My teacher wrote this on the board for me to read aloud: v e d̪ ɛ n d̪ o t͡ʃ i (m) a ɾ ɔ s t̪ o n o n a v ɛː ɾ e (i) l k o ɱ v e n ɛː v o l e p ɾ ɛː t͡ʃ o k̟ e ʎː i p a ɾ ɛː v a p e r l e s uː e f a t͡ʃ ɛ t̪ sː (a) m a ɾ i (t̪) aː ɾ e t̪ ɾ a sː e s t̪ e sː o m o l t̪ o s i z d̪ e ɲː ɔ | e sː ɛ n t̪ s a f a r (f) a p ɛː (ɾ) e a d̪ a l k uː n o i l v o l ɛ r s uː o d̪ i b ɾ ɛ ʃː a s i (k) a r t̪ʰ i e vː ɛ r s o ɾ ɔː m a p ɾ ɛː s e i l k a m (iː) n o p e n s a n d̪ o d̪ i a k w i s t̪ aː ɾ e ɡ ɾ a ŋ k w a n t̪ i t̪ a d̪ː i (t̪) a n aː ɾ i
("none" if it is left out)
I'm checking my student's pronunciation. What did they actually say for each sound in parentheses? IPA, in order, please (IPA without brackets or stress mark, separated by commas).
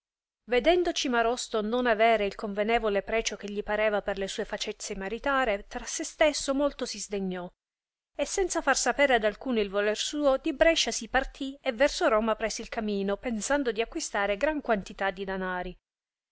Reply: m, i, e, t̪, s, ɾ, p, iː, d̪